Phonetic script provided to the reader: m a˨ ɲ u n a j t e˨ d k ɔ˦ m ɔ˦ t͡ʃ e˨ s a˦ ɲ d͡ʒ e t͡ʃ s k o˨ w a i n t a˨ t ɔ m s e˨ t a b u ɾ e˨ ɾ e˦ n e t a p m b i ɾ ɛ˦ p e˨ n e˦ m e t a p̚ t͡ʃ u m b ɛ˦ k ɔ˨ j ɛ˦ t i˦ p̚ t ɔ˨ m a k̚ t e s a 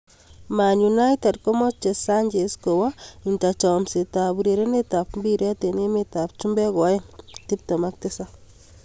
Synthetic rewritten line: m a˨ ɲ u n a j t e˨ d k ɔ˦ m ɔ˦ t͡ʃ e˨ s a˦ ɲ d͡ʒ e s k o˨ w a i n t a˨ t͡ʃ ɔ m s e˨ t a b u ɾ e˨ ɾ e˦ n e t a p m b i ɾ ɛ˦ t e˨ n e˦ m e t a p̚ t͡ʃ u m b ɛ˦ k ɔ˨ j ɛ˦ t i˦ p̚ t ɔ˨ m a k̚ t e s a